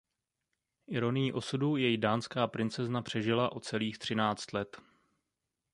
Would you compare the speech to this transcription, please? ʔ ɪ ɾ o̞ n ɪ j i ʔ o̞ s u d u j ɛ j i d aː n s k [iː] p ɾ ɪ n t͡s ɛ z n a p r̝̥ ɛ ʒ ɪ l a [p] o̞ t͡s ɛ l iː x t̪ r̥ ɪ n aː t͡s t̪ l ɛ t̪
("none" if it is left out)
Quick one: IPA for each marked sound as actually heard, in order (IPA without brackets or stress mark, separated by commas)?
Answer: aː, ʔ